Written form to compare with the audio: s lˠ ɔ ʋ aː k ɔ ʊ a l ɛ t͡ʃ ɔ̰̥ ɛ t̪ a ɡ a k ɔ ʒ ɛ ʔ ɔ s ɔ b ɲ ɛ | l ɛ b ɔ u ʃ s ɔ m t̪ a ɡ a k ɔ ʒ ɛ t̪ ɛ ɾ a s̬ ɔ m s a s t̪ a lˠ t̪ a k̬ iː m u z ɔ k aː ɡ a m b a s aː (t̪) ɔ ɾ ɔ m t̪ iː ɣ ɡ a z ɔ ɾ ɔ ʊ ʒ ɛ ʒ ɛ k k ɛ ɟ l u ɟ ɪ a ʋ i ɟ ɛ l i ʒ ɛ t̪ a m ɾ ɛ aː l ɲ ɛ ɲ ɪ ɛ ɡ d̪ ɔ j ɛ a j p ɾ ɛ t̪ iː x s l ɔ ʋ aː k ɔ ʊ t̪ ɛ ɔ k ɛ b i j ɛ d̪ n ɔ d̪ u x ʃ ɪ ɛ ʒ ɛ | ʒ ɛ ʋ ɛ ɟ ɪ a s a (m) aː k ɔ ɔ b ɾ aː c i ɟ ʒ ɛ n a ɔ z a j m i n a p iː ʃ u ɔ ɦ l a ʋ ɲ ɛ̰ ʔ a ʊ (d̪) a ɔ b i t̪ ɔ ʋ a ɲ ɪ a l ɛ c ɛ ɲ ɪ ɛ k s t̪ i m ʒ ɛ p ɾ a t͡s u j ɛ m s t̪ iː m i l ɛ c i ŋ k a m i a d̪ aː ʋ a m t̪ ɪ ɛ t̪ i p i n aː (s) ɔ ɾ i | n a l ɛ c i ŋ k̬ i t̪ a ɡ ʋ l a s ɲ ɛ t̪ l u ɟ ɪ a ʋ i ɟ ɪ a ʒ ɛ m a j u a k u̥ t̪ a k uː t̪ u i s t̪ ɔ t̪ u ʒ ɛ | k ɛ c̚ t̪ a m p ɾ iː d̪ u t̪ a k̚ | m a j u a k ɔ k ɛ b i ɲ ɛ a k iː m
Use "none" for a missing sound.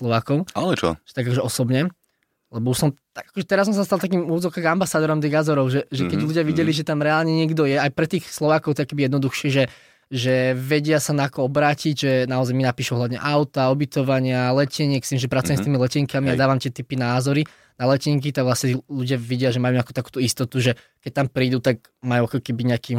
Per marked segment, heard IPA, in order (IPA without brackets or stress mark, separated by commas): d̪, n, t̪, z